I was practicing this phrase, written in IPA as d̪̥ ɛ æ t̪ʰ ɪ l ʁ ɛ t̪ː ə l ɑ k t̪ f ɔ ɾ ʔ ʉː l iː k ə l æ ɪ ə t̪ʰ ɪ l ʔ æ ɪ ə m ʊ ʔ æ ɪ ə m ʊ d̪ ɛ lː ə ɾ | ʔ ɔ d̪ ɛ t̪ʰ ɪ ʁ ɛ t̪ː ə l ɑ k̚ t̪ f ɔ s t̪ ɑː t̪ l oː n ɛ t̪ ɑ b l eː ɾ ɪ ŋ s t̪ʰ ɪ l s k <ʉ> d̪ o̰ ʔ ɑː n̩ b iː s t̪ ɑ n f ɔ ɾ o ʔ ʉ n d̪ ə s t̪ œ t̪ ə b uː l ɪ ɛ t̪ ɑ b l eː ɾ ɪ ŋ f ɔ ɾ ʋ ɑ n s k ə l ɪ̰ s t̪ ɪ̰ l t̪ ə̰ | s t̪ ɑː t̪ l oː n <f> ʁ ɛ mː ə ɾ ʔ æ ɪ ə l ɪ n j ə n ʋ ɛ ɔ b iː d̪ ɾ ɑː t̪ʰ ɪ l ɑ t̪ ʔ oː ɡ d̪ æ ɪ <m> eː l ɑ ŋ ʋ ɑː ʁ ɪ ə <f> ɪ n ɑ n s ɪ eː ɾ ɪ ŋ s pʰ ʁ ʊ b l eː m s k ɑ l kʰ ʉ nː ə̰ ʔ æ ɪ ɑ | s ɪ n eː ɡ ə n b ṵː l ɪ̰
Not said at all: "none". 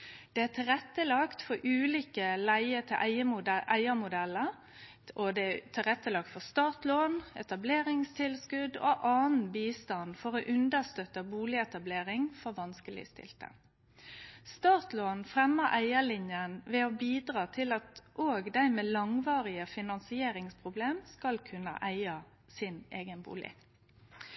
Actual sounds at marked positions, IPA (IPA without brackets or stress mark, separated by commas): ʉ, f, m, f